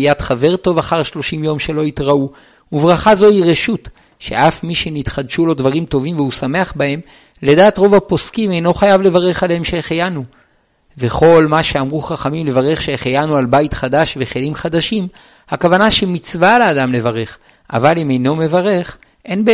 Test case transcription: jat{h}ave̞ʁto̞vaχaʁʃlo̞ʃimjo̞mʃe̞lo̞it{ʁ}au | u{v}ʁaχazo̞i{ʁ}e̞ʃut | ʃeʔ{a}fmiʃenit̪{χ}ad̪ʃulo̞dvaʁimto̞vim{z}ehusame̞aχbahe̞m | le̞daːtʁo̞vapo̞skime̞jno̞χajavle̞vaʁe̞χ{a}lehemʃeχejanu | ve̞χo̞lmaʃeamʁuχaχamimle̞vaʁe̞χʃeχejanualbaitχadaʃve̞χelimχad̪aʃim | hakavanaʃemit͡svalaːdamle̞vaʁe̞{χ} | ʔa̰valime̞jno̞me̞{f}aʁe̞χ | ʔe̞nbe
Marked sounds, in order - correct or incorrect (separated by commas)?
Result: incorrect, correct, correct, correct, correct, correct, incorrect, correct, correct, incorrect